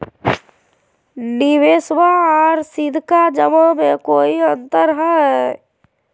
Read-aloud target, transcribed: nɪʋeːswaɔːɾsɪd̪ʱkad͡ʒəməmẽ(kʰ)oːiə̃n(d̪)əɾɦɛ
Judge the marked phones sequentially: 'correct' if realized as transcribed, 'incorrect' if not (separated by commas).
incorrect, incorrect